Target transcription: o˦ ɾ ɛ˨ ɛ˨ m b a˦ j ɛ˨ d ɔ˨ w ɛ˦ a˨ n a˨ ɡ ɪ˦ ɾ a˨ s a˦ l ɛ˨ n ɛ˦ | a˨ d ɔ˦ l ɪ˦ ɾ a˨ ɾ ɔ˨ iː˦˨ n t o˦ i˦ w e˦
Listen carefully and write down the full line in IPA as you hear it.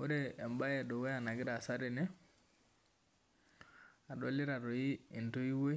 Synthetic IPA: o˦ ɾ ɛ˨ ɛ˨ m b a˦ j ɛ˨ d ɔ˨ w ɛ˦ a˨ n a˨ ɡ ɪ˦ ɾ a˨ s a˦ ɾ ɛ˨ n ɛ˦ | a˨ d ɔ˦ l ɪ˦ ɾ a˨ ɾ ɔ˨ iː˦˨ n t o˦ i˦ w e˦